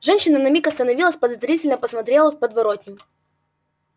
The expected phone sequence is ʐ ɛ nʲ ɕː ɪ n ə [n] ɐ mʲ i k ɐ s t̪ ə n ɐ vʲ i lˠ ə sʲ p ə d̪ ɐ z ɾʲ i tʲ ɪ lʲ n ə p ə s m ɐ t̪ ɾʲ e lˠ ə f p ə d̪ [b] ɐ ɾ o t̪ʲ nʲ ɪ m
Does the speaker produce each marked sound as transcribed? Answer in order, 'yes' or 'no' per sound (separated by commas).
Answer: yes, no